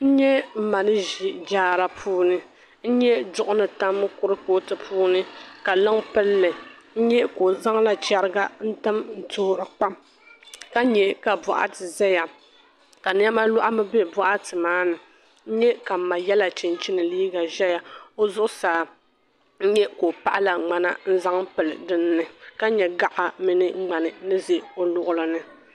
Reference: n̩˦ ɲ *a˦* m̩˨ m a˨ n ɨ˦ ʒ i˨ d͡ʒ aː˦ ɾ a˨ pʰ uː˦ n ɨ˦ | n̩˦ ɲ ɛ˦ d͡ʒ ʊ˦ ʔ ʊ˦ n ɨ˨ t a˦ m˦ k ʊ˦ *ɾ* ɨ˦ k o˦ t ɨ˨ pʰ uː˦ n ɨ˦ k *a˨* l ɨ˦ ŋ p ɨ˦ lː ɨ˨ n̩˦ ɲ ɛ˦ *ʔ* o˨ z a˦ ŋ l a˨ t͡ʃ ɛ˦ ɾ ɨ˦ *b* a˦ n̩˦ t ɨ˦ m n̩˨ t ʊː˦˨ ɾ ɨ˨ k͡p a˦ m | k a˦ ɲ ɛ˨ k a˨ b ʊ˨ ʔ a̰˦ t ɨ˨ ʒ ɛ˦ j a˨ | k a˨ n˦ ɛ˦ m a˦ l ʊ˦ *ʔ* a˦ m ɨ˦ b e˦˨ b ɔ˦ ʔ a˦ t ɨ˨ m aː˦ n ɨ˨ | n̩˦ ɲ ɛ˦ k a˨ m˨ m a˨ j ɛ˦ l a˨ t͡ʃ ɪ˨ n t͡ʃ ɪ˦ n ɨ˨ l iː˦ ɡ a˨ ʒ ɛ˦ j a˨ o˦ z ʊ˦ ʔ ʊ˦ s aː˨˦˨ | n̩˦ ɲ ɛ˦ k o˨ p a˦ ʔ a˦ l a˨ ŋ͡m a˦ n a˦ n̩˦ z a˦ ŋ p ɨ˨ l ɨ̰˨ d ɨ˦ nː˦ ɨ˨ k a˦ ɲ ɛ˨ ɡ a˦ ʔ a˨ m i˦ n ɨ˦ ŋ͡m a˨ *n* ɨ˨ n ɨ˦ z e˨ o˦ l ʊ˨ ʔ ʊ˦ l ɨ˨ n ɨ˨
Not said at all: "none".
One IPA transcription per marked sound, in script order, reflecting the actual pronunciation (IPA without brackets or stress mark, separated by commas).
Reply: ɛ˦, ɾ, a˨, k, ɡ, ʔ, n